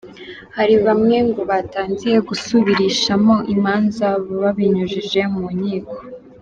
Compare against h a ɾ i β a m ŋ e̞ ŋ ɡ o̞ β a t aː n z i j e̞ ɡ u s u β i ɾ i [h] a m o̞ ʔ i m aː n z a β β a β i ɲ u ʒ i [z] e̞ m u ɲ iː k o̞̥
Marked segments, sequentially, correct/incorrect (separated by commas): incorrect, incorrect